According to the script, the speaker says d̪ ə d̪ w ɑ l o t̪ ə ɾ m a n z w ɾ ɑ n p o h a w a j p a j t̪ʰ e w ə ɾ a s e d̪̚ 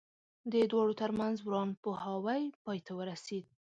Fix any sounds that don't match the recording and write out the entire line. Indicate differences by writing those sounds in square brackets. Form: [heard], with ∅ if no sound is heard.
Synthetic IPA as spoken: d̪ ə d̪ w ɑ [ɽ] o t̪ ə ɾ m a n z w ɾ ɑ n p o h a w a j p [ɑ] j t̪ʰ [a] w ə ɾ a s e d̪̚